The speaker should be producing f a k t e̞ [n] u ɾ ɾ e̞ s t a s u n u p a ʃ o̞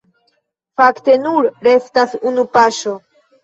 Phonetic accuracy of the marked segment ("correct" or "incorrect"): correct